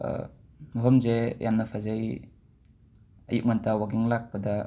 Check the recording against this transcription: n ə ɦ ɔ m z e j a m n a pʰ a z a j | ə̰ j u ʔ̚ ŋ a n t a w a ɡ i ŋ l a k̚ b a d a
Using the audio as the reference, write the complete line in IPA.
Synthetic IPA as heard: m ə ɦ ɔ m z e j a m n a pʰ a z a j | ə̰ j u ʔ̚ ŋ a n t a w a ɡ i ŋ l a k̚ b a d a